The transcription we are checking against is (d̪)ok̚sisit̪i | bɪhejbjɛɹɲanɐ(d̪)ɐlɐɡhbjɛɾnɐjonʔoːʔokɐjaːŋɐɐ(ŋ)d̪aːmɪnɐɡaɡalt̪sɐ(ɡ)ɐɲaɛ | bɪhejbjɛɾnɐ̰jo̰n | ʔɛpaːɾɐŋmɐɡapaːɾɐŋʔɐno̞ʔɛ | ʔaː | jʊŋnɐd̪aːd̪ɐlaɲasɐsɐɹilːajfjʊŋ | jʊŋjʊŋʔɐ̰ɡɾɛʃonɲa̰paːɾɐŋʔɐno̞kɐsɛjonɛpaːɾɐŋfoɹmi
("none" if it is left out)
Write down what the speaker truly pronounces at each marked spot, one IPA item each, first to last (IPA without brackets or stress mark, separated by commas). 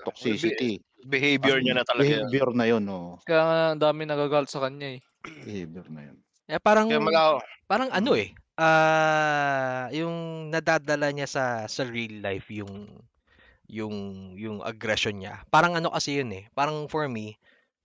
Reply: t̪, t̪, n, k